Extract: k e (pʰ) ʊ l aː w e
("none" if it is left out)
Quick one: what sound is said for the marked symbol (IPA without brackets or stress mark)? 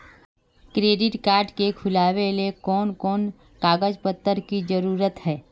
kʰ